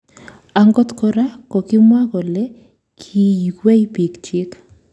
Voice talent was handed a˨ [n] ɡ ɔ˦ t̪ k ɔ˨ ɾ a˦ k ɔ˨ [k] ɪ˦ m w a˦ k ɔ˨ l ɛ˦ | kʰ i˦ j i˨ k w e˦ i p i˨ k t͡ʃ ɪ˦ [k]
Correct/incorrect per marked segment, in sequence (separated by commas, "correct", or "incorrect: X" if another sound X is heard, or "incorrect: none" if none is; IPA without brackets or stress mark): incorrect: ŋ, correct, correct